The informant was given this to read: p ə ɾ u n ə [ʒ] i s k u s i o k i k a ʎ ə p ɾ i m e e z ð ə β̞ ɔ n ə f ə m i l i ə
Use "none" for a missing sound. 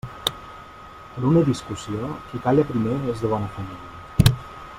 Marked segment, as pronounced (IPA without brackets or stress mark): ð